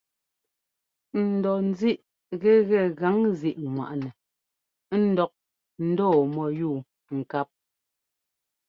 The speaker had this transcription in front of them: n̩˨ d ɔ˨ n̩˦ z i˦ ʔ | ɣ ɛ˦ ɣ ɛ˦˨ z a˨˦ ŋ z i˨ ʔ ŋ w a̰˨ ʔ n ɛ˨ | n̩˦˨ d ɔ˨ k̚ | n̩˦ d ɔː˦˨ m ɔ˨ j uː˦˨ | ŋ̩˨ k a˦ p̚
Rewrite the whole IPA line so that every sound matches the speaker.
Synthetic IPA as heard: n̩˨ d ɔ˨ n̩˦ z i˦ ʔ | ɣ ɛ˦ ɣ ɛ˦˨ ɣ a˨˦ ŋ z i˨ ʔ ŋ w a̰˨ ʔ n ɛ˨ | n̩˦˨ d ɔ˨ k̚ | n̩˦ d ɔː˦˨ m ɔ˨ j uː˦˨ | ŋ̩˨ k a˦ p̚